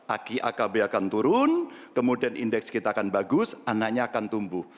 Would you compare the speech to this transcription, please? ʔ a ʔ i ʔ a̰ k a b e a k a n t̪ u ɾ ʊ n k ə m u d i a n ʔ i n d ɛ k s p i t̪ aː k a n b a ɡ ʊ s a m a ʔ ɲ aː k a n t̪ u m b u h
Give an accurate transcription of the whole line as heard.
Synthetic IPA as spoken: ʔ a k i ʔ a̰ k a b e a k a n t̪ u ɾ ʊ n k ə m u d i a n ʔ i n d ɛ k s k i t̪ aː k a n b a ɡ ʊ s a n a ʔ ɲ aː k a n t̪ u m b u h